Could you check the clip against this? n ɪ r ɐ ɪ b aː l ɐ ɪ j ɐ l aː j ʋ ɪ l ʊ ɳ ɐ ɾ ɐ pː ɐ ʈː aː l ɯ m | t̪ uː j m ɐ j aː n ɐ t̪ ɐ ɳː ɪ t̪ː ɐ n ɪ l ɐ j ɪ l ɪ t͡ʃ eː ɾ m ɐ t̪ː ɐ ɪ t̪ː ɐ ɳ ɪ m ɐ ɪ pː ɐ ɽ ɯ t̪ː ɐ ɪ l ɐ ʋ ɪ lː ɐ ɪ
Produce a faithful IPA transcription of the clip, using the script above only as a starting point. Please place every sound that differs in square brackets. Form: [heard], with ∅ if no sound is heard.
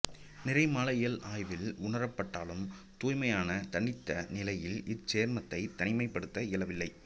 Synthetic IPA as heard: n ɪ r ɐ ɪ [m] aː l ɐ ɪ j ɐ l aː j ʋ ɪ l ʊ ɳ ɐ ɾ ɐ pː ɐ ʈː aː l ɯ m | t̪ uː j m ɐ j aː n ɐ t̪ ɐ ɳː ɪ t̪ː ɐ n ɪ l ɐ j ɪ l ɪ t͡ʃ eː ɾ m ɐ t̪ː ɐ ɪ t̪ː ɐ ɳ ɪ m ɐ ɪ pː ɐ ɽ ɯ t̪ː ɐ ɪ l ɐ ʋ ɪ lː ɐ ɪ